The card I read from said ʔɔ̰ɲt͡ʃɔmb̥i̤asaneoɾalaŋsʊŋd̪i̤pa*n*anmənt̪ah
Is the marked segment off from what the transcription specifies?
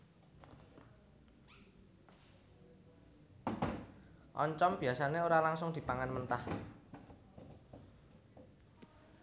yes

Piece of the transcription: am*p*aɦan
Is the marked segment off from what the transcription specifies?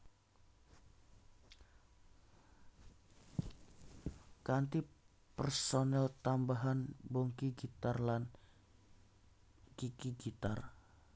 yes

